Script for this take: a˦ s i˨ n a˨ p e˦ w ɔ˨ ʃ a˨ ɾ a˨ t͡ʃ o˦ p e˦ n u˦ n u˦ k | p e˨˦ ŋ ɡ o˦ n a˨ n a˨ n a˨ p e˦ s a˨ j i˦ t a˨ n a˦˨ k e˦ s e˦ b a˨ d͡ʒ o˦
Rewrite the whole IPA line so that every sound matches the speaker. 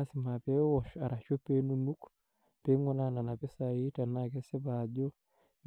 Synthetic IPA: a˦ s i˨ m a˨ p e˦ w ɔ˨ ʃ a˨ ɾ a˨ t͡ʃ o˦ p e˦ n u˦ n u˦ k | p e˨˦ ŋ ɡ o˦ n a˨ n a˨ n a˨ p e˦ s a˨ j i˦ t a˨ n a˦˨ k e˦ s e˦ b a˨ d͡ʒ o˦